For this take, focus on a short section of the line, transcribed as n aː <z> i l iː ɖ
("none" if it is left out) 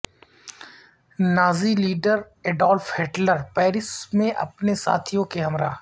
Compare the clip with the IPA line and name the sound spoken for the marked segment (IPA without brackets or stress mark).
z